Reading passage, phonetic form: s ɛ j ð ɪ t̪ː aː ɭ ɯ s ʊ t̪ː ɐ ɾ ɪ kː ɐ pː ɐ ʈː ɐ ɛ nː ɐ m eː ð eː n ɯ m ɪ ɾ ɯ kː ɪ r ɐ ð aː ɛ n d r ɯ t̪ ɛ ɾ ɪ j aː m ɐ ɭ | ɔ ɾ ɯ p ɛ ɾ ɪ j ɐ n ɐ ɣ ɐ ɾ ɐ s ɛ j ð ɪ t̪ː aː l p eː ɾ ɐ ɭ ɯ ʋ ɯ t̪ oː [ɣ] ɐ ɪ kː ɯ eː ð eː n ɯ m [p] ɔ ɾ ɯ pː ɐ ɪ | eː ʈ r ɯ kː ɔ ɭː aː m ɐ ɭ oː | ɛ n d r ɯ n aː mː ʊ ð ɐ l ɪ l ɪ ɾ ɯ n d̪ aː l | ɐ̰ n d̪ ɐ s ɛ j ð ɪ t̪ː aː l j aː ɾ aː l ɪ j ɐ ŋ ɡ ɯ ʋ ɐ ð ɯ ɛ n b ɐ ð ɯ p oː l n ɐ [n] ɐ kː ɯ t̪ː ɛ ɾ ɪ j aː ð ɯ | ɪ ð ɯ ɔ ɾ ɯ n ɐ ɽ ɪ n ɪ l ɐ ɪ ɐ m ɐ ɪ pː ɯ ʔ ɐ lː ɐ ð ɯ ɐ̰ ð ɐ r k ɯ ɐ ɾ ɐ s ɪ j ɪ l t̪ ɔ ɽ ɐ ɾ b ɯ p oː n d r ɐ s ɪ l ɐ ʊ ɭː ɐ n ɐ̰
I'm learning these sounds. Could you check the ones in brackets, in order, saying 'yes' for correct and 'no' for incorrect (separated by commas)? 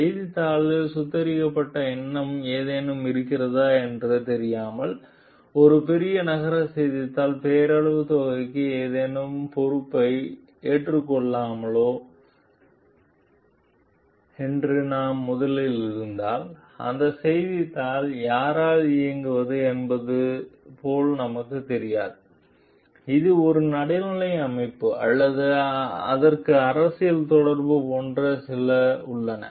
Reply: yes, yes, no